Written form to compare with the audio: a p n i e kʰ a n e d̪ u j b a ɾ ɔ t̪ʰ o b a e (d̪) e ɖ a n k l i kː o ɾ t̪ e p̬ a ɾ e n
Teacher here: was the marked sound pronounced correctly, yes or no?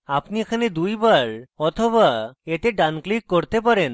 no